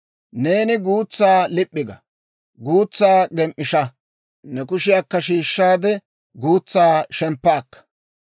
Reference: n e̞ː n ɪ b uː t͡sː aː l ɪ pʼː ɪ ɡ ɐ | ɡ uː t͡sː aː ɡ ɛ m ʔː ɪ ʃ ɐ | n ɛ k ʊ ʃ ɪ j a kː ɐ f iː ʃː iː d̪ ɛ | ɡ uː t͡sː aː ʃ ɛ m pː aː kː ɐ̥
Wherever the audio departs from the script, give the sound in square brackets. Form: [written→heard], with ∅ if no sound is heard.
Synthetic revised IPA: n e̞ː n ɪ [b→ɡ] uː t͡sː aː l ɪ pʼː ɪ ɡ ɐ | ɡ uː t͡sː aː ɡ ɛ m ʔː ɪ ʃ ɐ | n ɛ k ʊ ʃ ɪ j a kː ɐ [f→ʃ] iː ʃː [iː→aː] d̪ ɛ | ɡ uː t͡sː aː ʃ ɛ m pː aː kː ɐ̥